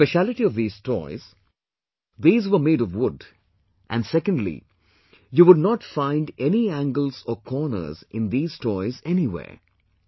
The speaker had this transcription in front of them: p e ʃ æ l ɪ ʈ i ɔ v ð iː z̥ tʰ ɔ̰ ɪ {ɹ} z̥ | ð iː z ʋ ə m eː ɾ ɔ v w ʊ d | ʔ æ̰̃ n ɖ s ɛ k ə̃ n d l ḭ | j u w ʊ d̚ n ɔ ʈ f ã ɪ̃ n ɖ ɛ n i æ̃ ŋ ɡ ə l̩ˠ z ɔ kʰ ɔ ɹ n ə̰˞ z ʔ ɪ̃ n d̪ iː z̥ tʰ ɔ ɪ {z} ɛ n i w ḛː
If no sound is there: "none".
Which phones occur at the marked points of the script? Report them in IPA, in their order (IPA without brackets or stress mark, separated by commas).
none, z